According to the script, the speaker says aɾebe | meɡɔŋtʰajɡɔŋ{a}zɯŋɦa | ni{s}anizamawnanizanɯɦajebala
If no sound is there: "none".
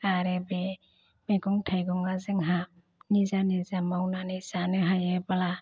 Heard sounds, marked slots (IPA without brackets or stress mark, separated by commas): a, z